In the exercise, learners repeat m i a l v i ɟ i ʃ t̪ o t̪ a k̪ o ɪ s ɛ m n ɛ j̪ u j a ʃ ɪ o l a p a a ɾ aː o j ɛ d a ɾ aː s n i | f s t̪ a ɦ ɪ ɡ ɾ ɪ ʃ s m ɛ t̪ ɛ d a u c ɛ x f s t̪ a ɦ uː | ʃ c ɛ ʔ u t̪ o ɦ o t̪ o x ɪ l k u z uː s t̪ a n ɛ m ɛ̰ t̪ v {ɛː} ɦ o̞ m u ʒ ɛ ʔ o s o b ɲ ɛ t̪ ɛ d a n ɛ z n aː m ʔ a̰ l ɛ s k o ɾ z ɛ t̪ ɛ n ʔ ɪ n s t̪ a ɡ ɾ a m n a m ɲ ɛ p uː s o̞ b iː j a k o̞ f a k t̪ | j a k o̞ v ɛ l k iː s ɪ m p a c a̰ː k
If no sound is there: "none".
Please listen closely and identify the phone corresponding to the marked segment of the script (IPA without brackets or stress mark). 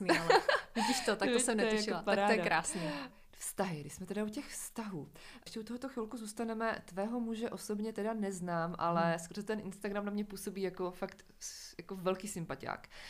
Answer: ɛː